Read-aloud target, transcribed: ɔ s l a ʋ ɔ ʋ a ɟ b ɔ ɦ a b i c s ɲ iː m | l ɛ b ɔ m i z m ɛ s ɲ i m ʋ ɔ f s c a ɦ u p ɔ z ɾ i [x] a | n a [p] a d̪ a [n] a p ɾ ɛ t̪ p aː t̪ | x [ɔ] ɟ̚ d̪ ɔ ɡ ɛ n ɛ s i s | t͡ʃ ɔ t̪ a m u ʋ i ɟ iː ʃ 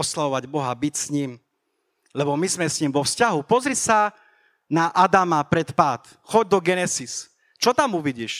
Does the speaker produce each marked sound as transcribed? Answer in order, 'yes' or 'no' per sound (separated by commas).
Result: no, no, no, yes